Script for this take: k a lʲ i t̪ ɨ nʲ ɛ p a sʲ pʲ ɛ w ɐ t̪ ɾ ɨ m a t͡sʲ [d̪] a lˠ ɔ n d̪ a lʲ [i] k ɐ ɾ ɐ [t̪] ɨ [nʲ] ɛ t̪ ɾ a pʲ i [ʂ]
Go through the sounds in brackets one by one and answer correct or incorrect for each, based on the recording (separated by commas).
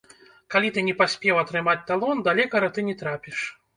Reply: incorrect, incorrect, correct, correct, correct